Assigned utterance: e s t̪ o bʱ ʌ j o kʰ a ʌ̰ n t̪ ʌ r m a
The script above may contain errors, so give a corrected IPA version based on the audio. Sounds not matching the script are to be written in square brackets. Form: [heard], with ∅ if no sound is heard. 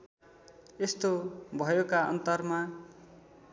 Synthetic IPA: e s t̪ o bʱ ʌ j o [k] a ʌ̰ n t̪ ʌ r m a